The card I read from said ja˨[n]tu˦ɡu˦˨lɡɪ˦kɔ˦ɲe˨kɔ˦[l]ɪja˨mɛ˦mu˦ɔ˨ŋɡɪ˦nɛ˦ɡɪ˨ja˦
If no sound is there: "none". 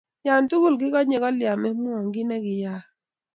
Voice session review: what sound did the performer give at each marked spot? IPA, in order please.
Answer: n, l

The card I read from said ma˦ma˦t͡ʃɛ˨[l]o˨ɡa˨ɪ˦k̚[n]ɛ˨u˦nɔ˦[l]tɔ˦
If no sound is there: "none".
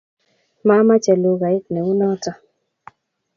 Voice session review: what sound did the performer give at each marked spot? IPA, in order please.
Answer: l, n, none

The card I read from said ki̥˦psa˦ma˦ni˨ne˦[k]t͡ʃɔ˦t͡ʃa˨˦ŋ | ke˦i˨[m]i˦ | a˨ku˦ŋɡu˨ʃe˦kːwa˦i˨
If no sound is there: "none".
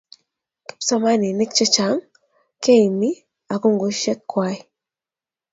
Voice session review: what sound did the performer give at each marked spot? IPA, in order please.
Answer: k, m

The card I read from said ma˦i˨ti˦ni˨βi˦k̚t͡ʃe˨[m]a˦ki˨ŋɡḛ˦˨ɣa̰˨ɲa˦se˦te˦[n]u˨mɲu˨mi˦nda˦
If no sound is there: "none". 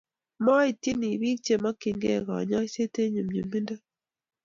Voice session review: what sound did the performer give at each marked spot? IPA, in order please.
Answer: m, ɲ

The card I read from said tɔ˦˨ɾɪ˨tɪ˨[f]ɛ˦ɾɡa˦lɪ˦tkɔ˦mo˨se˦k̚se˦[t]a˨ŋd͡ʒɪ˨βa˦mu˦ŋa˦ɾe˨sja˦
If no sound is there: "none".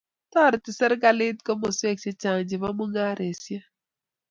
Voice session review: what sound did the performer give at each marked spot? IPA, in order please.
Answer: s, t͡ʃ

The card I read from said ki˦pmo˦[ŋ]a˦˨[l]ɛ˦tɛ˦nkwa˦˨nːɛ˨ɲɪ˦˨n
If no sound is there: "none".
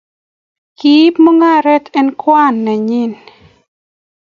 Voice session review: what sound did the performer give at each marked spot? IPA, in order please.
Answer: ŋ, ɾ

